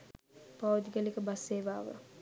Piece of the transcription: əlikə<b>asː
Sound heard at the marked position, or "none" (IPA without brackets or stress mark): b